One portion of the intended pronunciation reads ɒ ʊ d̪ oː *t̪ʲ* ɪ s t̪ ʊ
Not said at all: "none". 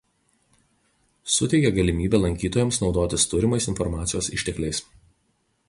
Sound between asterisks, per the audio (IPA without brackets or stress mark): t̪ʲ